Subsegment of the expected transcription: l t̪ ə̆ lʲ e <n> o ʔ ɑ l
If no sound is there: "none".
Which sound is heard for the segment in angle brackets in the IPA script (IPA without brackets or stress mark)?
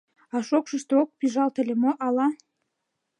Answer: m